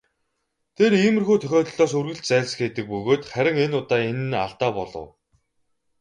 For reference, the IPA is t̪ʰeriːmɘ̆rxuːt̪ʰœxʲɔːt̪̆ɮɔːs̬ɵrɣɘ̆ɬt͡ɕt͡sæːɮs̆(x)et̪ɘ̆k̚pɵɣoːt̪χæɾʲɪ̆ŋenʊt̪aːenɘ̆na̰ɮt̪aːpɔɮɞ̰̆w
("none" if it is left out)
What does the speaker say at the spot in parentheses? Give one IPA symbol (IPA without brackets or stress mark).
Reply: x